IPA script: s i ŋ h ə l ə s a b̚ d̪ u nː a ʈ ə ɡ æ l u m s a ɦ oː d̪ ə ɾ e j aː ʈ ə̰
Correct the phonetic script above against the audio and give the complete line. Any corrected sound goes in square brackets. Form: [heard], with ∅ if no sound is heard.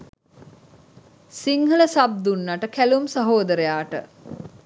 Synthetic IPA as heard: s i ŋ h ə l ə s a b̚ d̪ u nː a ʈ ə [k] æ l u m s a ɦ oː d̪ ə ɾ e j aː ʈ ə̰

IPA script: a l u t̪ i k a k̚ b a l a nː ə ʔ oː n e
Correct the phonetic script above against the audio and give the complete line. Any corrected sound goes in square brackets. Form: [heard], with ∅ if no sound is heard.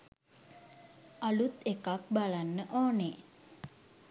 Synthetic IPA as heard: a l u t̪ [e] k a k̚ b a l a nː ə ʔ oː n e

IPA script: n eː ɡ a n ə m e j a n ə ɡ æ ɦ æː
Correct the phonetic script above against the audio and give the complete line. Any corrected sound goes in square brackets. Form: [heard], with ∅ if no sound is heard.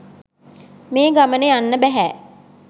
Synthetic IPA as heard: [m] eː ɡ a [m] ə [n] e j a [nː] ə [b] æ ɦ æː

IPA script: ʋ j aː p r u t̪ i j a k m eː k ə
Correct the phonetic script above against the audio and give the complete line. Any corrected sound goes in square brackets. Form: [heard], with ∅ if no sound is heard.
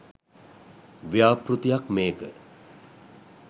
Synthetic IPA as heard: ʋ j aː p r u t̪ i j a k m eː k ə

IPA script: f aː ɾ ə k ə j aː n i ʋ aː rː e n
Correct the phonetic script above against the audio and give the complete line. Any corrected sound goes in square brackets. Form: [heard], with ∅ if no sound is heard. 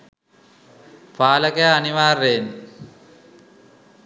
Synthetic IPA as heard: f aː [l] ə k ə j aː n i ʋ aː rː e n

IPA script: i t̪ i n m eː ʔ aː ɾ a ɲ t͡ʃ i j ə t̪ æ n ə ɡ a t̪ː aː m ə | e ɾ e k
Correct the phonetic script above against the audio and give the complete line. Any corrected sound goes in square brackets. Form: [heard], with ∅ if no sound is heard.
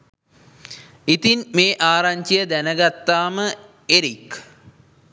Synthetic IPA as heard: i t̪ i n m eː ʔ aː ɾ a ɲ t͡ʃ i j ə [d̪] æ n ə ɡ a t̪ː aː m ə | e ɾ [i] k

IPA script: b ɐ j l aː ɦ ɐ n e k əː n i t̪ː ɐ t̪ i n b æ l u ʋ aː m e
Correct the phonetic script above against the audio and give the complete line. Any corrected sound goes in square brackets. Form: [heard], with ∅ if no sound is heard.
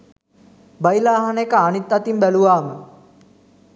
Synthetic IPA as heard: b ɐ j l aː ɦ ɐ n e k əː n i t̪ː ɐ t̪ i [m] b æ l u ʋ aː m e

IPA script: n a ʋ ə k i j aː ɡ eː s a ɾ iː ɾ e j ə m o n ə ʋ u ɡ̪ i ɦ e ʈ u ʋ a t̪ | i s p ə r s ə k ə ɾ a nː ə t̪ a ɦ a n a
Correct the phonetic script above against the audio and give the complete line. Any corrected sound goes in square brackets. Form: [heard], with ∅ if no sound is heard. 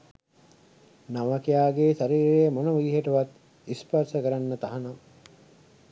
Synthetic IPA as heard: n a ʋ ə k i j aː ɡ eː s a ɾ iː ɾ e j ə m o n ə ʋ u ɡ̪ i ɦ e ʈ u ʋ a t̪ | i s p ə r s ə k ə ɾ a nː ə t̪ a ɦ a n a

